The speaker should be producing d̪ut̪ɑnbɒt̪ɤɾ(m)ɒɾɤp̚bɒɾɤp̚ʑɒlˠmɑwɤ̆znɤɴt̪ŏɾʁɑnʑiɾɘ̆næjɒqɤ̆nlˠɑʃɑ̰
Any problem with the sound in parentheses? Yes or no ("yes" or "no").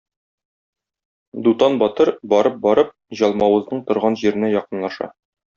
yes